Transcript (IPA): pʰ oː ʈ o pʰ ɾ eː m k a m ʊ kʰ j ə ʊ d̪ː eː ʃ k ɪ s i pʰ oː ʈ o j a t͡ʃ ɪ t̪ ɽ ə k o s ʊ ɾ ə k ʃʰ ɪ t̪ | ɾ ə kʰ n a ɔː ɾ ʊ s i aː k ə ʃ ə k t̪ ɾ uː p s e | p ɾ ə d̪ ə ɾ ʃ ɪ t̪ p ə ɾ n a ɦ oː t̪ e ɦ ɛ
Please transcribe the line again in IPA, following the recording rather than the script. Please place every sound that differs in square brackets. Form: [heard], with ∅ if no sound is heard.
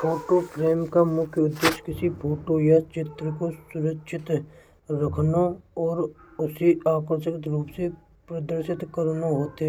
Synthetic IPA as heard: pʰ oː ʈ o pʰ ɾ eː m k a m ʊ kʰ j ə ʊ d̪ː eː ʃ k ɪ s i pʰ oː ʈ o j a t͡ʃ ɪ t̪ [ɾ] ə k o s ʊ ɾ ə k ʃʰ ɪ t̪ | ɾ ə kʰ n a ɔː ɾ ʊ s i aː k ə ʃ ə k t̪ ɾ uː p s e | p ɾ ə d̪ ə ɾ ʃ ɪ t̪ [k] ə ɾ n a ɦ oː t̪ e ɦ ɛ